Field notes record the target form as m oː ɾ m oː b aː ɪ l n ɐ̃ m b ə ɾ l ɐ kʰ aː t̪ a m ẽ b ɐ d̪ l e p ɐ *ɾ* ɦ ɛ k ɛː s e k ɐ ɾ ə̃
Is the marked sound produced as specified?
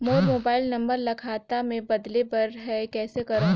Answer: yes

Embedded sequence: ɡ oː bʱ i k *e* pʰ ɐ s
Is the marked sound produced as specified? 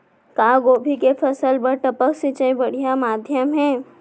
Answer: yes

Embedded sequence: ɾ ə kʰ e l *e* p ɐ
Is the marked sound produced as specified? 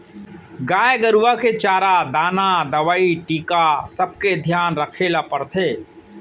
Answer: no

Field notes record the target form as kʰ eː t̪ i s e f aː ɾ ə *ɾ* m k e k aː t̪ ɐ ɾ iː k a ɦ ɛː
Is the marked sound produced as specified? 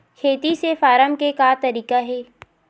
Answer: no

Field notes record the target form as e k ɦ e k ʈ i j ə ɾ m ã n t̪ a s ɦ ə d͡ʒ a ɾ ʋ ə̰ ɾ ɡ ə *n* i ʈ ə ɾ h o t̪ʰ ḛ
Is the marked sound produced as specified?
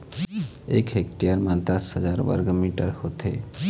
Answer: no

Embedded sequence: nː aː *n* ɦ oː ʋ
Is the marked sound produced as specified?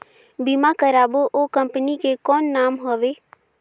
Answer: no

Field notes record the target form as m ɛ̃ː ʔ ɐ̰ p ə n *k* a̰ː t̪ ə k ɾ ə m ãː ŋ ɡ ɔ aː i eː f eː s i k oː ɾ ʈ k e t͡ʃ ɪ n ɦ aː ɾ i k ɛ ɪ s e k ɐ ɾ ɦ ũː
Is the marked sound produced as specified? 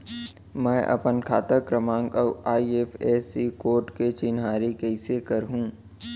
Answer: no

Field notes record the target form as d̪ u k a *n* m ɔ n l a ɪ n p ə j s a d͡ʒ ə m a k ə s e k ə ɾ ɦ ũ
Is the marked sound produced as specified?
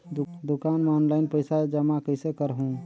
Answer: yes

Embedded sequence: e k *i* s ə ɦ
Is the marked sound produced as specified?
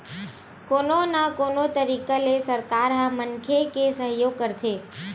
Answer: no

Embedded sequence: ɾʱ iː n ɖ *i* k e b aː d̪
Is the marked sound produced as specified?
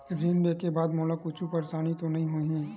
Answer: no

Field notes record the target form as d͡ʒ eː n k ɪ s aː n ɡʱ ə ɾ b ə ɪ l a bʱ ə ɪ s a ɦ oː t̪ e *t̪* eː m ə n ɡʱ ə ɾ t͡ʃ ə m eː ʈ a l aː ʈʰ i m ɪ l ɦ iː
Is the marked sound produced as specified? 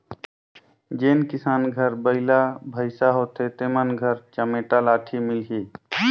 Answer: yes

